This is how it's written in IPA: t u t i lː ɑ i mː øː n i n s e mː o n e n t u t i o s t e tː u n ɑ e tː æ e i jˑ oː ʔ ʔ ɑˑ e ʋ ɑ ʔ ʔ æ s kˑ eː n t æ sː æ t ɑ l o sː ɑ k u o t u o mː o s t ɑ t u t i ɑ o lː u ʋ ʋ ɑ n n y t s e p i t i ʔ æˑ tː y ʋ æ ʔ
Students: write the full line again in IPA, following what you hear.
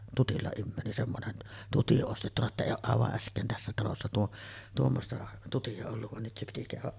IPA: t u t i lː ɑ i mː øː n i n s e mː o n e n t u t i o s t e tː u n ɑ e tː æ e i jˑ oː ʔ ʔ ɑˑ e ʋ ɑ ʔ ʔ æ s kˑ eː n t æ sː æ t ɑ l o sː ɑ t u o t u o mː o s t ɑ t u t i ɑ o lː u ʋ ʋ ɑ n n y t s e p i t i k æˑ y ʋ æ ʔ